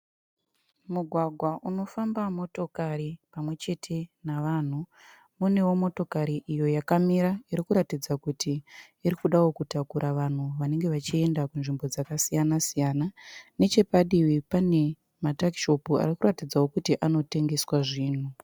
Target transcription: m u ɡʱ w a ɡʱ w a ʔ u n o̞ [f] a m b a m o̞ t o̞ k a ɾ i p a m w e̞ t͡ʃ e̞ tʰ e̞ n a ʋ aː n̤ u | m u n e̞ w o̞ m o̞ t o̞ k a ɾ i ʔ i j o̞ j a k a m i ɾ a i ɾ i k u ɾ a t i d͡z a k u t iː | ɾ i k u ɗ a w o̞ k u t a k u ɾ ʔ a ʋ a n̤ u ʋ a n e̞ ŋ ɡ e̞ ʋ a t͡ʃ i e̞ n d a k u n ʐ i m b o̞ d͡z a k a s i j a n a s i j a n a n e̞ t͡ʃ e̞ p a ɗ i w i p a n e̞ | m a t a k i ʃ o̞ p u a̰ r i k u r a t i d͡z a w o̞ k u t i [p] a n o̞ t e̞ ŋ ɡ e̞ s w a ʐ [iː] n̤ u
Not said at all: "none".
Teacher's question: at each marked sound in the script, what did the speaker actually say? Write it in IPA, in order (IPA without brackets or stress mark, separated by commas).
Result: f, ʔ, iː